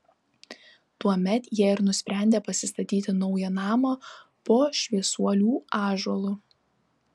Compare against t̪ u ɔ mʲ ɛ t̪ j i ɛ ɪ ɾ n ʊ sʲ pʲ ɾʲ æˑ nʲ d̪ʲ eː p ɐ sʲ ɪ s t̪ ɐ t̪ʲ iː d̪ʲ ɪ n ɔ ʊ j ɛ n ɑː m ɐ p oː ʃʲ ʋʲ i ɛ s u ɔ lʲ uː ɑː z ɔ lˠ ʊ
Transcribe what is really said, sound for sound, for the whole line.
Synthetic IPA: t̪ u ɔ mʲ ɛ t̪ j i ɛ ɪ ɾ n ʊ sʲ pʲ ɾʲ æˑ nʲ d̪ʲ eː p ɐ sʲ ɪ s t̪ ɐ t̪ʲ iː t̪ʲ ɪ n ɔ ʊ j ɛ n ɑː m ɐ p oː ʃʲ ʋʲ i ɛ s u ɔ lʲ uː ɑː ʒ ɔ lˠ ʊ